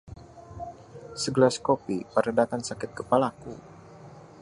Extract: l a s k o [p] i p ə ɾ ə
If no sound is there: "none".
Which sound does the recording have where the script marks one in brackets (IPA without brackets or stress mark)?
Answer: p